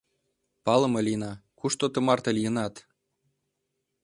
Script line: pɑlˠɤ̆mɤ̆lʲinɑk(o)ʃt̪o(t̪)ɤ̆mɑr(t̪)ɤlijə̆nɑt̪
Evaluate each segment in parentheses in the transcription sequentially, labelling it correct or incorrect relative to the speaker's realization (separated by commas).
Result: incorrect, correct, correct